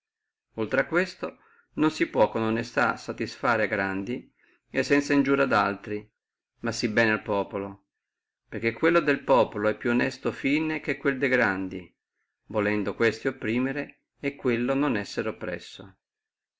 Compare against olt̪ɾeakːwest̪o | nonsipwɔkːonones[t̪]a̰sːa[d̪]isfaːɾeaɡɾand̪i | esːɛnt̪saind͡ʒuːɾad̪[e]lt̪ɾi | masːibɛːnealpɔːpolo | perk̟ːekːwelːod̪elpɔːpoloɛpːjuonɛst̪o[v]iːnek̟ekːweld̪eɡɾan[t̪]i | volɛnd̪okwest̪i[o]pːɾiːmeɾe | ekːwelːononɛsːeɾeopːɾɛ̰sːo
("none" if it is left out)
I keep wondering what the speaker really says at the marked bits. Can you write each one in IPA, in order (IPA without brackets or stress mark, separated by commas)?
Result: t̪, t̪, a, f, d̪, o